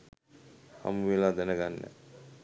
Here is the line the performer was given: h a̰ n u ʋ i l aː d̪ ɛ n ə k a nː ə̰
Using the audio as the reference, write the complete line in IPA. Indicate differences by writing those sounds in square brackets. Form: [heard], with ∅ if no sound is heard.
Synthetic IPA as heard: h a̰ [m] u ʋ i l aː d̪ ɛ n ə [ɡ] a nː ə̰